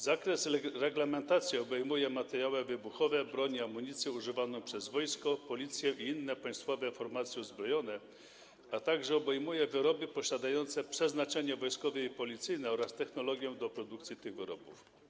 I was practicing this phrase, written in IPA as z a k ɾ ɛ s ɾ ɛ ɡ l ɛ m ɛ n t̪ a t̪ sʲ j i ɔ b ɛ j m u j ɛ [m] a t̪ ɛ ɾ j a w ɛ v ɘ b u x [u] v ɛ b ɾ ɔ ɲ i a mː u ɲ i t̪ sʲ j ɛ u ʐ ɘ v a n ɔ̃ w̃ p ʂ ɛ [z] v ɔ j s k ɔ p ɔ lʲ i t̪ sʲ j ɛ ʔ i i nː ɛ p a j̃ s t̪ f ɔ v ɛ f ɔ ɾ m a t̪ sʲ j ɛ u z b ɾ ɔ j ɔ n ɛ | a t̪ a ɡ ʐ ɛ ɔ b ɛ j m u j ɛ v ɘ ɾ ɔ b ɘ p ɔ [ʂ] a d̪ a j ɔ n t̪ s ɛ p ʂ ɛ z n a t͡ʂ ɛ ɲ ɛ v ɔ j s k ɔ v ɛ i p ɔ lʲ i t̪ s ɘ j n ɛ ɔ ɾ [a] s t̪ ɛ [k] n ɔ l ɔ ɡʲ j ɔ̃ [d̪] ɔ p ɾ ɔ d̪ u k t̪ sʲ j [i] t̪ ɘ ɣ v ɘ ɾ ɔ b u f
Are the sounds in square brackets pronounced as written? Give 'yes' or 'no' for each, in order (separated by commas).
yes, no, yes, no, yes, no, yes, yes